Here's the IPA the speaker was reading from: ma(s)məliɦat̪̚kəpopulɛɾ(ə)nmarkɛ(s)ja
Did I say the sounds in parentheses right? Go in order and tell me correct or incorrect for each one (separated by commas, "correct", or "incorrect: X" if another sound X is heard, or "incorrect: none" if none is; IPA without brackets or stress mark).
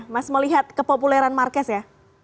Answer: correct, incorrect: a, correct